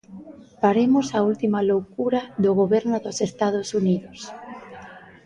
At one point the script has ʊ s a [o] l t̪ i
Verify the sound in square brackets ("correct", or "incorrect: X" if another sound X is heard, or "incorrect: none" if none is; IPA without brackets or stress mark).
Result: incorrect: u